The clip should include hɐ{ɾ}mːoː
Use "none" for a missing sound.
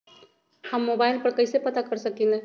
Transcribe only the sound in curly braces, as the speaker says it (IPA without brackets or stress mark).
none